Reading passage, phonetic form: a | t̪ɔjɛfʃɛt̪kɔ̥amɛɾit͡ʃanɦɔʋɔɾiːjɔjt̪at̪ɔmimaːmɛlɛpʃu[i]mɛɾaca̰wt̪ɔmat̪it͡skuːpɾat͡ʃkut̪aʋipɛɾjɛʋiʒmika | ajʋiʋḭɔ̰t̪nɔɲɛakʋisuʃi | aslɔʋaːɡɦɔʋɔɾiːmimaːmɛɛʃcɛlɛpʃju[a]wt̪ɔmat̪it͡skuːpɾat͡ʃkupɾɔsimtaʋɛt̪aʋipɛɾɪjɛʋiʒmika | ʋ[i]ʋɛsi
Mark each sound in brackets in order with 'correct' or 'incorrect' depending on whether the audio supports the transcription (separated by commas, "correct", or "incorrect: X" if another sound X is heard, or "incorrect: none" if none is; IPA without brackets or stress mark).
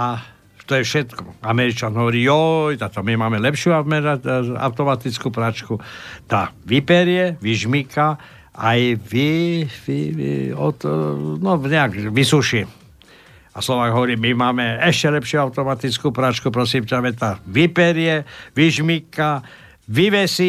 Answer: incorrect: a, correct, correct